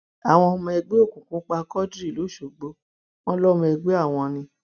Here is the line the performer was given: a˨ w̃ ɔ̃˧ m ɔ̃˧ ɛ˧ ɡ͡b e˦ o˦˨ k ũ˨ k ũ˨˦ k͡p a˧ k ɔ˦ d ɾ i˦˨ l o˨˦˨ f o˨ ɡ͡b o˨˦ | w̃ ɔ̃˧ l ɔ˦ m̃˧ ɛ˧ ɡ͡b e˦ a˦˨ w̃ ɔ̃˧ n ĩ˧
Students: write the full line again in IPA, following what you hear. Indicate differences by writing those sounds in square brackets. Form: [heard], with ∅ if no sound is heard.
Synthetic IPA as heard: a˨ w̃ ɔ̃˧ m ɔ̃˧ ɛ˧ ɡ͡b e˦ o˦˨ k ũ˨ k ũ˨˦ k͡p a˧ k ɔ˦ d ɾ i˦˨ l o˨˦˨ [ʃ] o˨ ɡ͡b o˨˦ | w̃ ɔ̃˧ l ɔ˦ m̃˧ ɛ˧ ɡ͡b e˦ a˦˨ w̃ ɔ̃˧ n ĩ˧